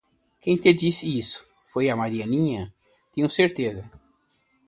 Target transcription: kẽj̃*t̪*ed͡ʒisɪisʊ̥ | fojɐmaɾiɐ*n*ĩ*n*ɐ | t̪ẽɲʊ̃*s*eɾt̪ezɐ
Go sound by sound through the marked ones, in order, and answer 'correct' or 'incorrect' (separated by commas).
correct, correct, incorrect, correct